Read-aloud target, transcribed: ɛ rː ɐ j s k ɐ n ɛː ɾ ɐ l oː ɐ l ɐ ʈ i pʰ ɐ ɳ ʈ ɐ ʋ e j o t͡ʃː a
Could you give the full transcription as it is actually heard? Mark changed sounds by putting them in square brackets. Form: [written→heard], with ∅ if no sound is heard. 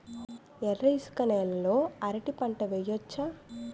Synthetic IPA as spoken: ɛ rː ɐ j s k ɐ n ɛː [ɾ→l] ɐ l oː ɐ [l→ɾ] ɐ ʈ i [pʰ→p] ɐ ɳ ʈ ɐ ʋ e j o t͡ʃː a